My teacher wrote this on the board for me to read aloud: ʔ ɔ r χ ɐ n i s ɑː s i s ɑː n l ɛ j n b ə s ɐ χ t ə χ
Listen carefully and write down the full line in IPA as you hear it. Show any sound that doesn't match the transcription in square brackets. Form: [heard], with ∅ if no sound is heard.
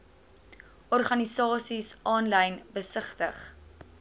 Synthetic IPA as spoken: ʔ ɔ r χ ɐ n i s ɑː s i s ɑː n l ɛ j n b ə s [ə] χ t ə χ